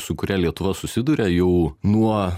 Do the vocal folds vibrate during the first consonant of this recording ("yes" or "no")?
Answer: no